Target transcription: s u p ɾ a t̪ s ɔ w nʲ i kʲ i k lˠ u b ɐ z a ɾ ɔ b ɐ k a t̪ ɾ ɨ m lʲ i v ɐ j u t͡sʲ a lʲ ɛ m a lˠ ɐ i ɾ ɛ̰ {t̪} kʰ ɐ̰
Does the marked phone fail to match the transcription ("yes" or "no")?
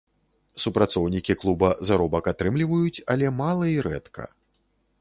no